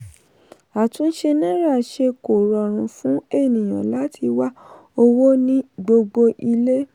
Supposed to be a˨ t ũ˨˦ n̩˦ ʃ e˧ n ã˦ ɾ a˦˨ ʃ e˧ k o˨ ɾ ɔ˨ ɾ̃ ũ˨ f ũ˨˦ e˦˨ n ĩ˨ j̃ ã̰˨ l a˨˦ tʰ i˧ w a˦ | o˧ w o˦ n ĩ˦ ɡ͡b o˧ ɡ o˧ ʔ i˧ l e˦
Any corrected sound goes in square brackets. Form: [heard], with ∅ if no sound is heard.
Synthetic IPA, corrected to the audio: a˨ t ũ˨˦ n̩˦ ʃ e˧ n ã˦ ɾ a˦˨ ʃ e˧ k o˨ ɾ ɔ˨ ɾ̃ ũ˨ f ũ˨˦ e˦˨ n ĩ˨ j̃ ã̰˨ l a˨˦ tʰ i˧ w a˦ | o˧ w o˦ n ĩ˦ ɡ͡b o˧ [ɡ͡b] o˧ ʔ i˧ l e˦